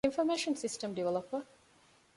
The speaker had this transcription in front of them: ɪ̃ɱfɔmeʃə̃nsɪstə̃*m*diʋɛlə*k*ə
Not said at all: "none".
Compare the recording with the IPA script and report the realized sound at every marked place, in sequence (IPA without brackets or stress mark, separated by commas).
m, p